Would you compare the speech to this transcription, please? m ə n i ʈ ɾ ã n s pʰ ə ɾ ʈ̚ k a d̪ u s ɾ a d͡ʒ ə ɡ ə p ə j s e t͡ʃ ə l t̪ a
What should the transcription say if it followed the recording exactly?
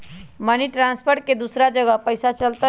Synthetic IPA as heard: m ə n i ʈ ɾ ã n s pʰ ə ɾ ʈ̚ k e d̪ u s ɾ a d͡ʒ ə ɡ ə p ə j s a t͡ʃ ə l t̪ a